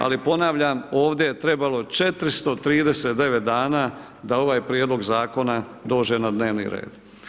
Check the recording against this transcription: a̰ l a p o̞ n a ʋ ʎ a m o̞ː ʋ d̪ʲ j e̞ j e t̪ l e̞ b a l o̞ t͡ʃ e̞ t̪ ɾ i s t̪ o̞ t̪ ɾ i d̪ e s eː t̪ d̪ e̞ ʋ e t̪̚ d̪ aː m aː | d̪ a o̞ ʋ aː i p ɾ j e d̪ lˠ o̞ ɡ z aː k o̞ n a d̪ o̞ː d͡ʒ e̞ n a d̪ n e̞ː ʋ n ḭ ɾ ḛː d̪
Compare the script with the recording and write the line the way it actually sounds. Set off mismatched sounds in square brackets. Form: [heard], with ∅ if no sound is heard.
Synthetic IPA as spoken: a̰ l [i] p o̞ n a ʋ ʎ a m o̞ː ʋ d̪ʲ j e̞ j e t̪ [ɾ] e̞ b a l o̞ t͡ʃ e̞ t̪ ɾ i s t̪ o̞ t̪ ɾ [iː] d̪ e s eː t̪ d̪ e̞ ʋ e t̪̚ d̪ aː [n] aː | d̪ a o̞ ʋ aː [j] p ɾ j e d̪ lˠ o̞ ɡ z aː k o̞ n a d̪ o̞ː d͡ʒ e̞ n a d̪ n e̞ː ʋ n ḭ ɾ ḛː d̪